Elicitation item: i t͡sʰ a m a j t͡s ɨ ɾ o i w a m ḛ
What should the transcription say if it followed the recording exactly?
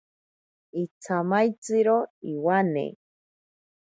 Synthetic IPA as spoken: i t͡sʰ a m a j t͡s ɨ ɾ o i w a n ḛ